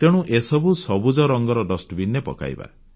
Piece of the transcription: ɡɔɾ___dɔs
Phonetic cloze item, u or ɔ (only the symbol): ɔ